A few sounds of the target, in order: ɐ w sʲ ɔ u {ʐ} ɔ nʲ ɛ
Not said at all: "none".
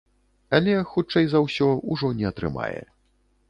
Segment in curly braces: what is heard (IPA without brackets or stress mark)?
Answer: ʐ